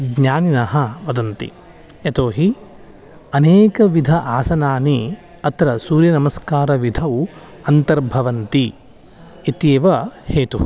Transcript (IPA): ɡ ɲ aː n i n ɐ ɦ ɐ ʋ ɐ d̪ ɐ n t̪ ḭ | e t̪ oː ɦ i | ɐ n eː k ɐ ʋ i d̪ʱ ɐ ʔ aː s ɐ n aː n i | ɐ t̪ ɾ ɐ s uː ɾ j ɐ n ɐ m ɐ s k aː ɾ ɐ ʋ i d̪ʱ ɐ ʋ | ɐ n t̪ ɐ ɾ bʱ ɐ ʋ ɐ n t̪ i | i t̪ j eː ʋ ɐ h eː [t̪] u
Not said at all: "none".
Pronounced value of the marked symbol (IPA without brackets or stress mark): t̪